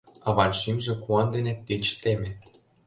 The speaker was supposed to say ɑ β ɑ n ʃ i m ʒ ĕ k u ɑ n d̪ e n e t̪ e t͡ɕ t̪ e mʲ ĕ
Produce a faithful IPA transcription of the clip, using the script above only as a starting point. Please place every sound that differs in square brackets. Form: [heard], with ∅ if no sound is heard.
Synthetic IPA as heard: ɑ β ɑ n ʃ i m ʒ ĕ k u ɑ n d̪ e n e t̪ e t͡ɕ t̪ e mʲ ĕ